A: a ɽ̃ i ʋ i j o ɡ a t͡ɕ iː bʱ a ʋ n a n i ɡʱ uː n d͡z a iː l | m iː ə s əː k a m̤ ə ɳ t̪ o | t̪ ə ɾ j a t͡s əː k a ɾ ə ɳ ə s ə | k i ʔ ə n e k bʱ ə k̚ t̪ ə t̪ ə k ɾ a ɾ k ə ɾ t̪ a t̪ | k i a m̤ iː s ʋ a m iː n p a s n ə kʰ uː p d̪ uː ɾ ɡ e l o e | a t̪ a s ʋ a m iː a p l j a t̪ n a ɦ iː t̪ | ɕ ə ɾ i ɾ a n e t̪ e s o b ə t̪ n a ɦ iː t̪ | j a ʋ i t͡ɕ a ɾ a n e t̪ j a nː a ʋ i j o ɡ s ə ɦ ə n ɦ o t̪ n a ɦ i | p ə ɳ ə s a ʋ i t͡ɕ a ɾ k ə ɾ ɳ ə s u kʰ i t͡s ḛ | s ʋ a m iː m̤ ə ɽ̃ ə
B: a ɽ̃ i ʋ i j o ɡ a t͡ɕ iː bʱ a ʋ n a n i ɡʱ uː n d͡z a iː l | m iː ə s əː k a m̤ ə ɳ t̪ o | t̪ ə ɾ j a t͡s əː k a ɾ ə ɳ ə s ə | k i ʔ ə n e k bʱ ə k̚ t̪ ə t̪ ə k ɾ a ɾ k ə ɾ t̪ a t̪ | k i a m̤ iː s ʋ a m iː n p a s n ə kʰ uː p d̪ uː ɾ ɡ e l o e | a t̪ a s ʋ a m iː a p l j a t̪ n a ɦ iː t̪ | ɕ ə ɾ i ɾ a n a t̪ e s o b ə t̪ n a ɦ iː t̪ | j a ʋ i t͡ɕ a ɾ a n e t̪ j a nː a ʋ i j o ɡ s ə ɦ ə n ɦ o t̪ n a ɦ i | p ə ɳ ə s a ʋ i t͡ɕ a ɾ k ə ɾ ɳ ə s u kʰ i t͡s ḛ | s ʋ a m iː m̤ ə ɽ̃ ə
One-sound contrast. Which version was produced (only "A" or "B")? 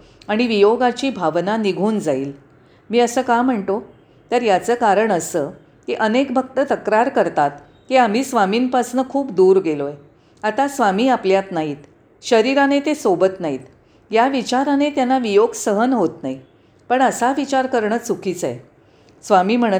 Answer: A